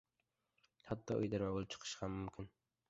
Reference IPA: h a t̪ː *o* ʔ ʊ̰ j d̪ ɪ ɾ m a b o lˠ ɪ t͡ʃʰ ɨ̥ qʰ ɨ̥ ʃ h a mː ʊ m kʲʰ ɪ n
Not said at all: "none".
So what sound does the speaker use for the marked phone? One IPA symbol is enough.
ɒ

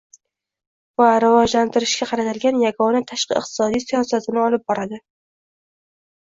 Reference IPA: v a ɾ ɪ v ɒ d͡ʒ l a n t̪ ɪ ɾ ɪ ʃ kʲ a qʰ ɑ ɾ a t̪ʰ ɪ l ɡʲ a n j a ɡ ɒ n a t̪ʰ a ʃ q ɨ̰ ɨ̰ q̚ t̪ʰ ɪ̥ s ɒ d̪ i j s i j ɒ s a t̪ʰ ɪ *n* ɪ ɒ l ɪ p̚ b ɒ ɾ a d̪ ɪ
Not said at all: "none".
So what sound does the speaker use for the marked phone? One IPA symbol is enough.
n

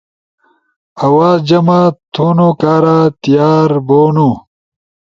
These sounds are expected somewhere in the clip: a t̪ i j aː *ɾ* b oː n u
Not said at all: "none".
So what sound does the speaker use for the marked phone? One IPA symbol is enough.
ɾ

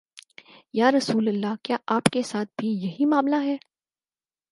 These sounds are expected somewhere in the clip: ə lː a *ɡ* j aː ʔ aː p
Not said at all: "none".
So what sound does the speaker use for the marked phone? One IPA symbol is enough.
k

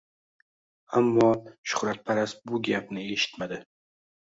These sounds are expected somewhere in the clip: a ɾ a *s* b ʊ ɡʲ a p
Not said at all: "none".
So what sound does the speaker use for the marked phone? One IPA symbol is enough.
s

